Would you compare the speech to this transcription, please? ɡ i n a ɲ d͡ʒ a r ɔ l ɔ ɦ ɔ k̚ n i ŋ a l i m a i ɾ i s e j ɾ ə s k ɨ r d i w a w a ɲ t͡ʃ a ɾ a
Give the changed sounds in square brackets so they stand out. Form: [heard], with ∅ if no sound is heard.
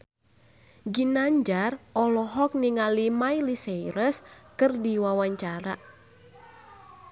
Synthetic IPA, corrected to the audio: ɡ i n a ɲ d͡ʒ a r ɔ l ɔ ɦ ɔ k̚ n i ŋ a l i m a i [l] i s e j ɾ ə s k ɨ r d i w a w a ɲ t͡ʃ a ɾ a